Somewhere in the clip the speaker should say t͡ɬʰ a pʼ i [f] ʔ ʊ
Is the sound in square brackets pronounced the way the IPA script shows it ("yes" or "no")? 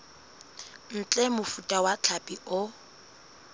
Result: no